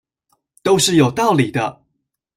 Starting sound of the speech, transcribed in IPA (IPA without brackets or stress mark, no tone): t̪